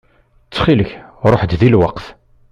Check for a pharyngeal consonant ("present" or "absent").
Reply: present